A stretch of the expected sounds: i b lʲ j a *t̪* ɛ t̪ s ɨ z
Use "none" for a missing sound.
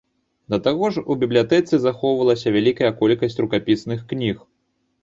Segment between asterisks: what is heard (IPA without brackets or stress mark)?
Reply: t̪